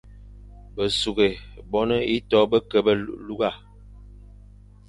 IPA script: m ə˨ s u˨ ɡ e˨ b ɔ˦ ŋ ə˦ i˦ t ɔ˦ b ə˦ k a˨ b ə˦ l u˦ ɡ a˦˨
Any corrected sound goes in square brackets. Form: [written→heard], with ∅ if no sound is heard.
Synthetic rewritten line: [m→b] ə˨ s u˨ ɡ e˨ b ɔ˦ [ŋ→n] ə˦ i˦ t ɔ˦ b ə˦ k [a˨→ə˨] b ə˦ l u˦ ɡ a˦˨